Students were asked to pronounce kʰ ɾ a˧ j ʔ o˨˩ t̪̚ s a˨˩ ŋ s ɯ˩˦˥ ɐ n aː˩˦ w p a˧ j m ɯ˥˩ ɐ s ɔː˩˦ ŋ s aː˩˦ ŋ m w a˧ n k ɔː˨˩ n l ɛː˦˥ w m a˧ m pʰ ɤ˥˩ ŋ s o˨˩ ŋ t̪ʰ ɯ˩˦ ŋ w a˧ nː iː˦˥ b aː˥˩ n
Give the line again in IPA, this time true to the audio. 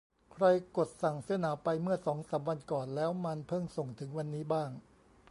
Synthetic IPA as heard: kʰ ɾ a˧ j k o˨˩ t̪̚ s a˨˩ ŋ s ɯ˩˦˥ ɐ n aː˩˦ w p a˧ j m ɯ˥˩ ɐ s ɔː˩˦ ŋ s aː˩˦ m w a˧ n k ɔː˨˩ n l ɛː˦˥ w m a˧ n pʰ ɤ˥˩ ŋ s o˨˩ ŋ t̪ʰ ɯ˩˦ ŋ w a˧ nː iː˦˥ b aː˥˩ ŋ